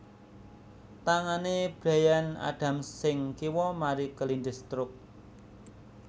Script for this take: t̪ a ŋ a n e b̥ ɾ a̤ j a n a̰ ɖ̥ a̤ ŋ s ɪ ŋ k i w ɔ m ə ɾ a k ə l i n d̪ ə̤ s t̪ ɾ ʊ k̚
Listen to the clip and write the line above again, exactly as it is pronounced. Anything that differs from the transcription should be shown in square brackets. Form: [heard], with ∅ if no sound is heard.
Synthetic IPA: t̪ a ŋ a n e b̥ ɾ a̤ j a n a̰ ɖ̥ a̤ [m] s ɪ ŋ k i w ɔ m [a] ɾ [i] k ə l i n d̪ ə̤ s t̪ ɾ ʊ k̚